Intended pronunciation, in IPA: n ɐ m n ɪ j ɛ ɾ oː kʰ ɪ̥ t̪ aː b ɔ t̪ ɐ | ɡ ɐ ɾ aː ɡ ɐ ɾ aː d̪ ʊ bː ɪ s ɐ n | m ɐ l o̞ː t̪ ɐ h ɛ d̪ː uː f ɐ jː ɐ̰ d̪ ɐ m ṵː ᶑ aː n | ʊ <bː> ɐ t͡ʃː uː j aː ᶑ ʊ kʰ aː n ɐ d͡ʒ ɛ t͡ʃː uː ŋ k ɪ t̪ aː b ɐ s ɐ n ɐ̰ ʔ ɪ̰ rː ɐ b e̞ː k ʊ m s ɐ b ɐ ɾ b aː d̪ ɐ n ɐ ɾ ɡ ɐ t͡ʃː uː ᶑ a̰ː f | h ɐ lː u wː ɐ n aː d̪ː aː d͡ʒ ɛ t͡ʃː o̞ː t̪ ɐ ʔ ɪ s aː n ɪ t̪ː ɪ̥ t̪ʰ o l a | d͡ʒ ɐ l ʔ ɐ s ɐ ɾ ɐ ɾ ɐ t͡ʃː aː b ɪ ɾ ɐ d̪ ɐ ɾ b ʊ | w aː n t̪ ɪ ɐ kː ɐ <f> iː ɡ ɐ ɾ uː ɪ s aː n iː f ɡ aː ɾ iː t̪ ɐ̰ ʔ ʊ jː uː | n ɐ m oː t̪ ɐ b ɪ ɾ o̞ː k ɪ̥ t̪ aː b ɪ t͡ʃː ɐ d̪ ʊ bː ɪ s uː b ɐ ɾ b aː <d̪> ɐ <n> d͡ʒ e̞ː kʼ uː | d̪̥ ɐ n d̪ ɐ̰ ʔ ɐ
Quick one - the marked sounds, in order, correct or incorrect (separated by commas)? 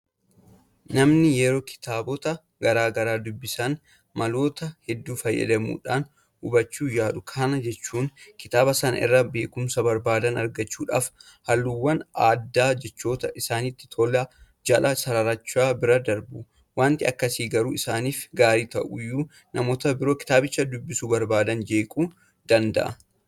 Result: incorrect, incorrect, correct, correct